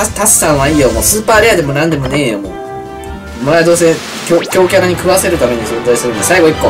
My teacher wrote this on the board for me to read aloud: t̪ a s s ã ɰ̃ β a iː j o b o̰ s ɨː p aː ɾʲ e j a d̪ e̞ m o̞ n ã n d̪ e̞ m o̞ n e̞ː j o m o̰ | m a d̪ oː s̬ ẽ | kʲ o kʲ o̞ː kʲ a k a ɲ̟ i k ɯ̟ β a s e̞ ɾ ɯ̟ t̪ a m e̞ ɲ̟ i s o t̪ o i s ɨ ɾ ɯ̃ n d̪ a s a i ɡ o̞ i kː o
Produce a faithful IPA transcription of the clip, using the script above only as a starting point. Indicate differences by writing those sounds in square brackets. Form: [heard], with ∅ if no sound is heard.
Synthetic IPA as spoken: t̪ a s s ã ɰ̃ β a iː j o [m] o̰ s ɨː p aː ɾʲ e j a d̪ e̞ m o̞ n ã n d̪ e̞ m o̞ n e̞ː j o m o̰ | m a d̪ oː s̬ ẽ | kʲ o kʲ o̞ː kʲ a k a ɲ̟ i k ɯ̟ β a s e̞ ɾ ɯ̟ t̪ a m e̞ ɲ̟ i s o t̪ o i s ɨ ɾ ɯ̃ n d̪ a s a i ɡ o̞ i kː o